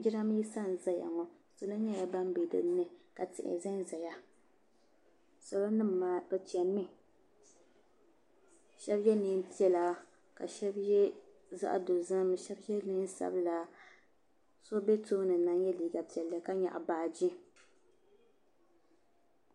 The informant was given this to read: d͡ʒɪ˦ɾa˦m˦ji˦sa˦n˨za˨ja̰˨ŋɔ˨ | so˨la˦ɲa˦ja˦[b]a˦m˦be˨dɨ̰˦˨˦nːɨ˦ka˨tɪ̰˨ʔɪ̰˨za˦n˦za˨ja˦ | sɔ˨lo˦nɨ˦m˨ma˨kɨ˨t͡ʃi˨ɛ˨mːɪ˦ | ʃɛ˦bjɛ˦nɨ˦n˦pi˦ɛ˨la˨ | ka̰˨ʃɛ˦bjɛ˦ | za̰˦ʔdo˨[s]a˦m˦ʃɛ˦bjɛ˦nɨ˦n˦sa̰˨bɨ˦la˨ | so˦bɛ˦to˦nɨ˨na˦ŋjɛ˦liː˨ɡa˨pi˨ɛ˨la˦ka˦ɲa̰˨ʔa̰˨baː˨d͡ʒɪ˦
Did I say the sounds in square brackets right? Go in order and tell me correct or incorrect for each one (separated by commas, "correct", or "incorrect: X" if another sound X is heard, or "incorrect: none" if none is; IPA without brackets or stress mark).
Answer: correct, incorrect: z